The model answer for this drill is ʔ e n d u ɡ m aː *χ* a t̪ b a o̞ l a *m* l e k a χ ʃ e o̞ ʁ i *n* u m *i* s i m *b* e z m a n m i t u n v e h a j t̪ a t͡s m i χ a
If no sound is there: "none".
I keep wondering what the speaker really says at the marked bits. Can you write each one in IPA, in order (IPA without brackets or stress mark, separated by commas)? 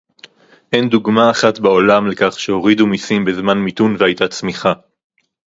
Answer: χ, m, d, i, b